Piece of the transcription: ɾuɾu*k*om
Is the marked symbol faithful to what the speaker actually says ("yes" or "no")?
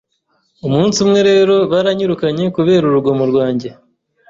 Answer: no